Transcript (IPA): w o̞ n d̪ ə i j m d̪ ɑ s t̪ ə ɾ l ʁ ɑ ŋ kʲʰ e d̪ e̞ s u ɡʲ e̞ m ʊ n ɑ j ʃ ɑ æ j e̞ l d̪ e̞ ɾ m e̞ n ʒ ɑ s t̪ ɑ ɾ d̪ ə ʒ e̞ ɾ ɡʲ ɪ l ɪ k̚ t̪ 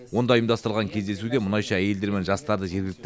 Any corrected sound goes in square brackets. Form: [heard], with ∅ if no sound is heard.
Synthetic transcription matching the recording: w o̞ n d̪ [ɑ] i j m d̪ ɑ s t̪ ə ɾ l ʁ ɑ ŋ kʲʰ e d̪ e̞ s u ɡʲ e̞ m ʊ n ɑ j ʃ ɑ æ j e̞ l d̪ e̞ ɾ m e̞ n ʒ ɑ s t̪ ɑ ɾ d̪ ə ʒ e̞ ɾ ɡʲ ɪ l ɪ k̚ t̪